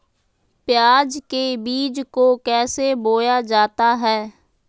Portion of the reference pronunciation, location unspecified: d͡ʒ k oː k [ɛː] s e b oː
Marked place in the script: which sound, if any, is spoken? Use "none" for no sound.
ɛː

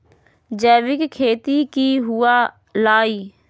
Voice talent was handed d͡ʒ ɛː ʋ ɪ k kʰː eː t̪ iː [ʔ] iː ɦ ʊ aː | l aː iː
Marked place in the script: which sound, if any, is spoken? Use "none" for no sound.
k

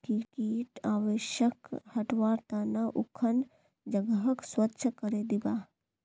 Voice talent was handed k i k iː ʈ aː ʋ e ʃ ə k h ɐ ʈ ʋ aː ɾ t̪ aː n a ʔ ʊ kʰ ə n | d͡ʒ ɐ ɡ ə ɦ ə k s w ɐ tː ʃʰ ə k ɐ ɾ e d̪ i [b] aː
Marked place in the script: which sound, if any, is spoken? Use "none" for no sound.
b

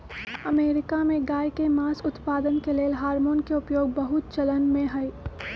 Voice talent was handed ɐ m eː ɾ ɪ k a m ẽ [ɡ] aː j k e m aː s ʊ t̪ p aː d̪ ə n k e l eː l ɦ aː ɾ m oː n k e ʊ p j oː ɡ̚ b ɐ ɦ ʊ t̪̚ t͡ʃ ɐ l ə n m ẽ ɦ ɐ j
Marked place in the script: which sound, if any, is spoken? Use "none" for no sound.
ɡ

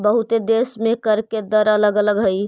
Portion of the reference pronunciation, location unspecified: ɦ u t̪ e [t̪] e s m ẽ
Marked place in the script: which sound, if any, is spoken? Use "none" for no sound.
d̪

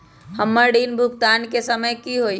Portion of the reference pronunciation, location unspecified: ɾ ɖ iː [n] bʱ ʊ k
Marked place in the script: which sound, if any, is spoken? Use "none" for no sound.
n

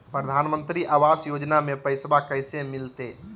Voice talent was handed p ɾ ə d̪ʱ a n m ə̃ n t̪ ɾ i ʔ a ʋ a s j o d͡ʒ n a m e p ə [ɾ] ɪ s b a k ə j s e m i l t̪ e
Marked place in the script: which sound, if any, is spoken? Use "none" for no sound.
none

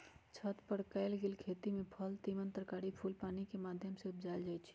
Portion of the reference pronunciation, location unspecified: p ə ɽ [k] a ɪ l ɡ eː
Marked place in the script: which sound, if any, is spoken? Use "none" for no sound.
k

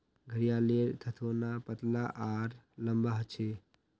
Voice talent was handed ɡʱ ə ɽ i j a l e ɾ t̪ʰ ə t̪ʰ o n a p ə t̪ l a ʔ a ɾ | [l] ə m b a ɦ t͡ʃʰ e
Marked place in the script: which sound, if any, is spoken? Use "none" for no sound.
l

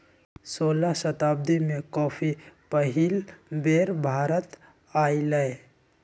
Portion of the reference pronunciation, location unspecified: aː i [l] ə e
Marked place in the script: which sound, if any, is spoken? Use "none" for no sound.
l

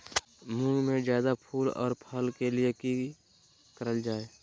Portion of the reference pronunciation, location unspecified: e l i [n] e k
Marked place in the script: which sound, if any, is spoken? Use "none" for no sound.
none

